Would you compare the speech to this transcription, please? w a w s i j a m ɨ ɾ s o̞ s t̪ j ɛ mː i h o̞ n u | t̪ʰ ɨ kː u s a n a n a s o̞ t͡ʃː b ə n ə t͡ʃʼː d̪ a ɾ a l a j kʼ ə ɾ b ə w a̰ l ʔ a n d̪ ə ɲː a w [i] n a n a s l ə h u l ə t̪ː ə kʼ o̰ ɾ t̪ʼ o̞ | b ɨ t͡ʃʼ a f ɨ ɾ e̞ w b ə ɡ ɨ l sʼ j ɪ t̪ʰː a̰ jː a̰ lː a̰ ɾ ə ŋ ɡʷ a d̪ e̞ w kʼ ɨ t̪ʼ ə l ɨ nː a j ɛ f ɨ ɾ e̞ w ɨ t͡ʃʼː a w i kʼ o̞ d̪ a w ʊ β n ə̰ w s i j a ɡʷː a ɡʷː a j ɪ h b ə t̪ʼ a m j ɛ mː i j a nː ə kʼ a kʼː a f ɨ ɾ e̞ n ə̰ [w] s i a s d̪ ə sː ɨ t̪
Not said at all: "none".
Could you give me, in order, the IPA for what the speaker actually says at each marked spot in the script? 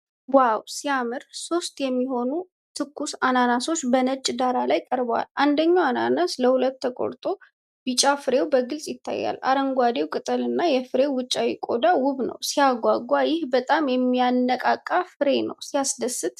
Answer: a, w

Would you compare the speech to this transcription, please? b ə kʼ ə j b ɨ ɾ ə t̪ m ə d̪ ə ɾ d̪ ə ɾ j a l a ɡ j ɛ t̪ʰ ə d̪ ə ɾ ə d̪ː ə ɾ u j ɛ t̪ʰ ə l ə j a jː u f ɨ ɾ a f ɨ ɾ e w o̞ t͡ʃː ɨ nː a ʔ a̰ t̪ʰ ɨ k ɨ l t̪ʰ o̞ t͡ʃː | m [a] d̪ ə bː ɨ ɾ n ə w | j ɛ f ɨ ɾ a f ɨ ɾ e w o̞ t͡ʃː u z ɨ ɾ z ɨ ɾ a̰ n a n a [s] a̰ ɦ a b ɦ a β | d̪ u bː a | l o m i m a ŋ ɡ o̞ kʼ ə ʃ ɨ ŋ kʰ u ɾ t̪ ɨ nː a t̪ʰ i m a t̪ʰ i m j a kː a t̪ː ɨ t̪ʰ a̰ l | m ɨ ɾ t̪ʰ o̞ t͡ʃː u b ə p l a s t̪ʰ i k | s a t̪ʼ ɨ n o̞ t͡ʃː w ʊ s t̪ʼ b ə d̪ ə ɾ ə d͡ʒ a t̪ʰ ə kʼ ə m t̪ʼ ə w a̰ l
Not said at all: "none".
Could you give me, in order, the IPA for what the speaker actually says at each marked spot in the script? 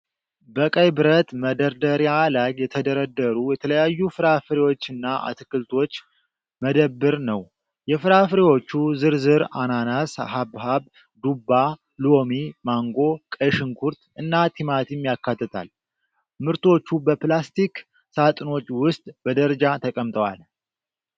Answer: ə, s

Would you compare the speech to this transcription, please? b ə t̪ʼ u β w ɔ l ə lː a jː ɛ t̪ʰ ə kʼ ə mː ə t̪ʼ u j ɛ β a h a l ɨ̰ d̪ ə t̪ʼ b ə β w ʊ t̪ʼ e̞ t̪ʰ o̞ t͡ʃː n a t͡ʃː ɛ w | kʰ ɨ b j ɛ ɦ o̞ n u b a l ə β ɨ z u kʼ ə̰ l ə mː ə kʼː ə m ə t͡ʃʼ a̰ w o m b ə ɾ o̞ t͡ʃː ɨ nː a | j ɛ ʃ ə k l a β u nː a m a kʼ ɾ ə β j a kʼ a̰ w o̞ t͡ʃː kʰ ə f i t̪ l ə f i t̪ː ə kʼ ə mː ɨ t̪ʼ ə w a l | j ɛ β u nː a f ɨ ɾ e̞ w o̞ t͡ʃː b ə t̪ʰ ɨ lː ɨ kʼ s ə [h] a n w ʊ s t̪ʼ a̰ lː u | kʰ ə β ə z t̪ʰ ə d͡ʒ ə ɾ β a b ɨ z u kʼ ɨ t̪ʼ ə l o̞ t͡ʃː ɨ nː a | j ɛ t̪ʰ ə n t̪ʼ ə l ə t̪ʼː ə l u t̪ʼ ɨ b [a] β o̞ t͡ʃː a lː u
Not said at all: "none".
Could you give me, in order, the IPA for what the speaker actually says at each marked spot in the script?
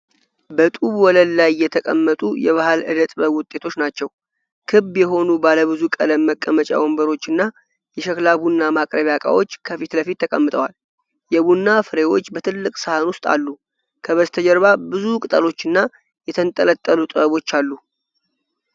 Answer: h, ə

